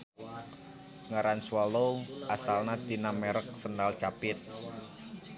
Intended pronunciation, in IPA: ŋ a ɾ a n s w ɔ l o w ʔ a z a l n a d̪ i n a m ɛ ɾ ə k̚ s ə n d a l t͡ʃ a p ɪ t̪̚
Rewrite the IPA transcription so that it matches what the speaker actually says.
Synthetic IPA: ŋ a ɾ a n s w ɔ l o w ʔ a s a l n a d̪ i n a m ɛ ɾ ə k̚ s ə n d a l t͡ʃ a p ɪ t̪̚